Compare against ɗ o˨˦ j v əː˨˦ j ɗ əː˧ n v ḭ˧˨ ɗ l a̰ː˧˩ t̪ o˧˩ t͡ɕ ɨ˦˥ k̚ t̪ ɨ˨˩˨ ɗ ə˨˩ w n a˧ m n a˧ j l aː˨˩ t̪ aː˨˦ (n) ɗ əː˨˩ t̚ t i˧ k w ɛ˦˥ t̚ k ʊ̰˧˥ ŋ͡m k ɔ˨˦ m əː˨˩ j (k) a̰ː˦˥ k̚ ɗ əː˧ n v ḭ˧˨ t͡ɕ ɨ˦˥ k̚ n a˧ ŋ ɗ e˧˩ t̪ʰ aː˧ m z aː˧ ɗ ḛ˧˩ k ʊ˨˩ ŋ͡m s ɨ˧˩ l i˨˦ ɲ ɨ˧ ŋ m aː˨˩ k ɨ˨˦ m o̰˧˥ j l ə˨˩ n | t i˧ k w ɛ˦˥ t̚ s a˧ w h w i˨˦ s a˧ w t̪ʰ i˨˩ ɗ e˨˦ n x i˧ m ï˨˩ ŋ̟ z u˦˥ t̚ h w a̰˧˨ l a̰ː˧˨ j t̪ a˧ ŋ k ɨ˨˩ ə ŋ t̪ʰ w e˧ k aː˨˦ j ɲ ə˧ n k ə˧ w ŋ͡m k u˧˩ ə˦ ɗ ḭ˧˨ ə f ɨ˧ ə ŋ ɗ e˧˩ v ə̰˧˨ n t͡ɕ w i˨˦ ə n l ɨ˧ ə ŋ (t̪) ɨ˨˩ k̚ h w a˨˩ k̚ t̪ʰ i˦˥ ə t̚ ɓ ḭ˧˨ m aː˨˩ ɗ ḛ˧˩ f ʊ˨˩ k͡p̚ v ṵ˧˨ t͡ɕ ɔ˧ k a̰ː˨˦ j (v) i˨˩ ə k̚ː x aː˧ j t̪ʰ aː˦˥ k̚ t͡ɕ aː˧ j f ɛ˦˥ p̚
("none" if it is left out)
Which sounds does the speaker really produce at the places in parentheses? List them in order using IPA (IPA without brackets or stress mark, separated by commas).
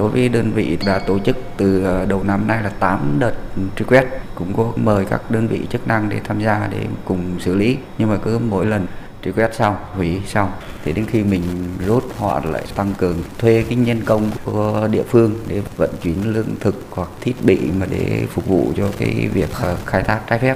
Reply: m, k, t̪ʰ, v